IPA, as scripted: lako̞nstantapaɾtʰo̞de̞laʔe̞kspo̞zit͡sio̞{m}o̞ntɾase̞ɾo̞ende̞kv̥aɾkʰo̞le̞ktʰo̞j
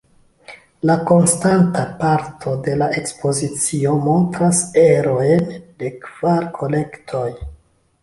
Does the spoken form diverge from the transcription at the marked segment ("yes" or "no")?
no